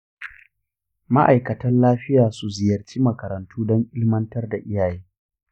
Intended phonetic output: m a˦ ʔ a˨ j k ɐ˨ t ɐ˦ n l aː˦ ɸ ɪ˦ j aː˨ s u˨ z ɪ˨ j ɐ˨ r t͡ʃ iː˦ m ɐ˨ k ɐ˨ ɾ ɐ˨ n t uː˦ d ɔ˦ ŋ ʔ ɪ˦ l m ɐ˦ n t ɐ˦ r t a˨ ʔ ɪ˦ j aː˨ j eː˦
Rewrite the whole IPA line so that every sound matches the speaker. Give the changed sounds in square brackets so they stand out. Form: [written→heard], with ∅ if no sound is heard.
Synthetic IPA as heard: m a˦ ʔ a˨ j k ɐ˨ t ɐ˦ n l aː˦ ɸ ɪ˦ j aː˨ s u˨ z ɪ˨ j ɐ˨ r t͡ʃ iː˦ m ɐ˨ k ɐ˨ ɾ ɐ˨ n t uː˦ d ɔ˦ ŋ ʔ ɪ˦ l m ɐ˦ n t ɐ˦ r [t→d] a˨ ʔ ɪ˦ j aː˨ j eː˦